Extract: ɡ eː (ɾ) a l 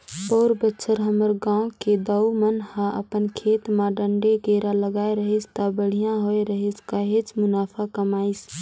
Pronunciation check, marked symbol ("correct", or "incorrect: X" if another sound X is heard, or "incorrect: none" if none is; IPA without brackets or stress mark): correct